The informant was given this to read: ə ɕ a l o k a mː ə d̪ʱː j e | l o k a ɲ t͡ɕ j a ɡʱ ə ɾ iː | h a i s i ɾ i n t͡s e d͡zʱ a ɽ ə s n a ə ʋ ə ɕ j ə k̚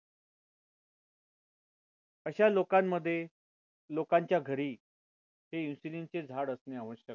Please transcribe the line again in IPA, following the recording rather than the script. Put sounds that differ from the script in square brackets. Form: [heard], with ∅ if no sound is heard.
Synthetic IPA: ə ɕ a l o k a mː ə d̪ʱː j e | l o k a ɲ t͡ɕ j a ɡʱ ə ɾ iː | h [e] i s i [l] i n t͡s e d͡zʱ a ɽ ə s n [e] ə ʋ ə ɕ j ə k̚